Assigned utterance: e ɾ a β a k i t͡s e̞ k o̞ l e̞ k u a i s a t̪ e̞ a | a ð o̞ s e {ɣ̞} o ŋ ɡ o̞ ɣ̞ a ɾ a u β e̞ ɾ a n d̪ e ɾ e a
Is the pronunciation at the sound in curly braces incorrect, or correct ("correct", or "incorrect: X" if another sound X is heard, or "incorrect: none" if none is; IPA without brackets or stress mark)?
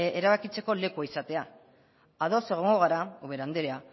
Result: correct